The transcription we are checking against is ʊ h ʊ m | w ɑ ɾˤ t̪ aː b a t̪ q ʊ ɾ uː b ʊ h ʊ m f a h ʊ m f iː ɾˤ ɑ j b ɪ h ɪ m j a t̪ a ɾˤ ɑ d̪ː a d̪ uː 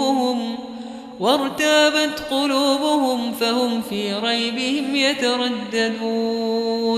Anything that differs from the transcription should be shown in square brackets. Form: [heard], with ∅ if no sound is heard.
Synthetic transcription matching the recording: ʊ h ʊ m | w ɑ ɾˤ t̪ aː b a t̪ q ʊ [l] uː b ʊ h ʊ m f a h ʊ m f iː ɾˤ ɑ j b ɪ h ɪ m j a t̪ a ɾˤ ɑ d̪ː a d̪ uː